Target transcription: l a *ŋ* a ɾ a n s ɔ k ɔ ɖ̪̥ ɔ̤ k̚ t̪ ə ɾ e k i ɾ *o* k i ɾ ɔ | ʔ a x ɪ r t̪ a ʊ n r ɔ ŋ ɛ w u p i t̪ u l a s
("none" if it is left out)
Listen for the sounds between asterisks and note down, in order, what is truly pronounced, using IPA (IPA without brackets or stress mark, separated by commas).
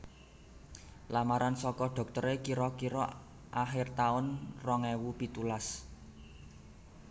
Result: m, ɔ